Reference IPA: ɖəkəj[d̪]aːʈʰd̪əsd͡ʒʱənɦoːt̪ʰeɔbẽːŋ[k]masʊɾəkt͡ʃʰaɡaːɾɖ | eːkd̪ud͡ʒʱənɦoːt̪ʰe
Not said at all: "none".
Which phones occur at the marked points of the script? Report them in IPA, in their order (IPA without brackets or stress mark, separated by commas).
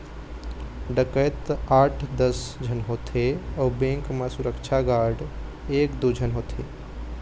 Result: t̪, k